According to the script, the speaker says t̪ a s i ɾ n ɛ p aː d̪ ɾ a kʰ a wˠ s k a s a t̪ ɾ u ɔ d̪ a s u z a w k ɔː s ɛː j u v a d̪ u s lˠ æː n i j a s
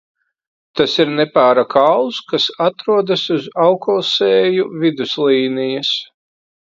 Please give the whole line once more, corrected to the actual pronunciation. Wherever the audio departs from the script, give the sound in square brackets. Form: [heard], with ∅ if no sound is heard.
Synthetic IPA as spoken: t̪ a s i ɾ n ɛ p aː [∅] ɾ a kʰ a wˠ s k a s a t̪ ɾ u ɔ d̪ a s u z a w k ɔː s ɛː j u v [i] d̪ u s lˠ [iː] n i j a s